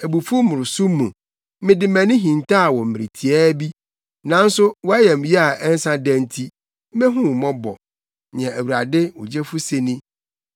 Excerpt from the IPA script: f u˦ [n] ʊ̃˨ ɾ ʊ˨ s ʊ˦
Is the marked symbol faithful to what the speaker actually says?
no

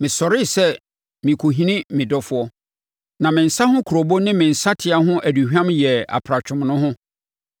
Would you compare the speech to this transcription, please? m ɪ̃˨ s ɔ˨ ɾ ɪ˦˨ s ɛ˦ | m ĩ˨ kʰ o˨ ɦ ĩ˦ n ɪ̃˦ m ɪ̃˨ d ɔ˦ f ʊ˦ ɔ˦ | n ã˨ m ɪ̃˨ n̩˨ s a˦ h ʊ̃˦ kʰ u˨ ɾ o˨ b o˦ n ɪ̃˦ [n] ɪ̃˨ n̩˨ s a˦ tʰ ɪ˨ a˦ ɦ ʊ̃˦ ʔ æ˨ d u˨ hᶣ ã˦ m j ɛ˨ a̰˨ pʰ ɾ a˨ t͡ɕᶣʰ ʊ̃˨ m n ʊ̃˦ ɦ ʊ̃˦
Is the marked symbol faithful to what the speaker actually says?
no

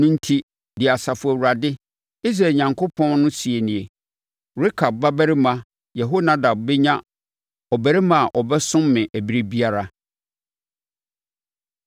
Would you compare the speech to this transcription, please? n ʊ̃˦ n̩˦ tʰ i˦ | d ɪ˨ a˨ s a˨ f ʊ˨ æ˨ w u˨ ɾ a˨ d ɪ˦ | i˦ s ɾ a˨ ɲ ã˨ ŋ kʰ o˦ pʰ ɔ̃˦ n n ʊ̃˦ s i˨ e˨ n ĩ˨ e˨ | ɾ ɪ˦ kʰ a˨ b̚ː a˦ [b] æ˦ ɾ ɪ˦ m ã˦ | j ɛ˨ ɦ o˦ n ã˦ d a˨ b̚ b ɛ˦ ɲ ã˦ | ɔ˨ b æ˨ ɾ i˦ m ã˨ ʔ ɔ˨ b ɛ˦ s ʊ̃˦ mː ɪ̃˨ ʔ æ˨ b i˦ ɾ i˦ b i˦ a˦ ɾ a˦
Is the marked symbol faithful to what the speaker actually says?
yes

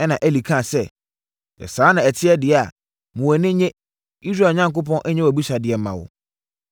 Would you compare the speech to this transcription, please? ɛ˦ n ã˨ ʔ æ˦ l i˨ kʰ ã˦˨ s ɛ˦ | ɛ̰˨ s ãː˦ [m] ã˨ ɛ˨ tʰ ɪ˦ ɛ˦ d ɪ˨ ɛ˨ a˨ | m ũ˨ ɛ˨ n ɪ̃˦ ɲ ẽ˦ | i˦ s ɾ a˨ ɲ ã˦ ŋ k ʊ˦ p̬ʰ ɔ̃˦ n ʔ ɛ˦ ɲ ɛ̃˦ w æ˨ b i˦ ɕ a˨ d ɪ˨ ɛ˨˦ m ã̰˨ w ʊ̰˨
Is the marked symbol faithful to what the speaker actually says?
no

